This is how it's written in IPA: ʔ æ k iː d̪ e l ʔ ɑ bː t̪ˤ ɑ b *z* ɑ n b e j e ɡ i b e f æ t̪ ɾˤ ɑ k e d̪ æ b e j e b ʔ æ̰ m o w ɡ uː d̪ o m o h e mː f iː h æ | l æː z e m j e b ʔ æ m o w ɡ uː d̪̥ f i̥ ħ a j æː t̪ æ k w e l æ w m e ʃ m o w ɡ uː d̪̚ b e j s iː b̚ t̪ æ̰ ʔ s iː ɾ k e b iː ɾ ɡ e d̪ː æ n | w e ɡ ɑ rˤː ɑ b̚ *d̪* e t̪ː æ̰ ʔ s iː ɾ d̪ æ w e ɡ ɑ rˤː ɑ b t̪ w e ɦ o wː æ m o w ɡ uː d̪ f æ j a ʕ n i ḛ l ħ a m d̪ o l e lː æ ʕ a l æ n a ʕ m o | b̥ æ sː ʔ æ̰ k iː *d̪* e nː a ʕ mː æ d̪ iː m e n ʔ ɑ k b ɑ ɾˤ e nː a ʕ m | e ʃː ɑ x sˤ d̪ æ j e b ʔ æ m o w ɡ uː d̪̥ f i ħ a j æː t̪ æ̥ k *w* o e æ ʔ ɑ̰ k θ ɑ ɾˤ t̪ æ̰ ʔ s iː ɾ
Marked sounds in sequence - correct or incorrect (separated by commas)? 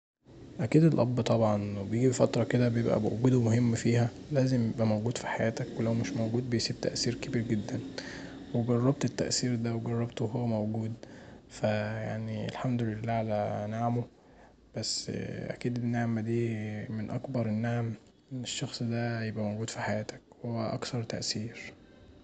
incorrect, incorrect, correct, correct